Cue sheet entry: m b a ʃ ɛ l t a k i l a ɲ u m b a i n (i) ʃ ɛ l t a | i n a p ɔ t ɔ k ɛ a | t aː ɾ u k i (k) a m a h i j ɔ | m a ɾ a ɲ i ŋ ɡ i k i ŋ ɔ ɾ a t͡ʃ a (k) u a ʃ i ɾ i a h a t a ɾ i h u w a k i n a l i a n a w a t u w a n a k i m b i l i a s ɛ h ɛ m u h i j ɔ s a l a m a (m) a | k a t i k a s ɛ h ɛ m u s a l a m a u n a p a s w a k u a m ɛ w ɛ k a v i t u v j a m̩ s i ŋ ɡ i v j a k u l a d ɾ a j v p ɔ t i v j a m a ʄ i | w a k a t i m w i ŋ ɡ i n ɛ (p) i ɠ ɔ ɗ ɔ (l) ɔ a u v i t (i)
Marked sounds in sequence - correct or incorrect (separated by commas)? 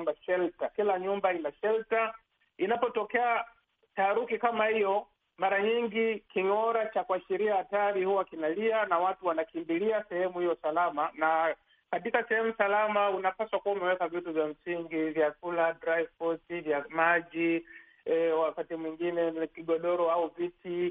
incorrect, correct, correct, incorrect, incorrect, incorrect, correct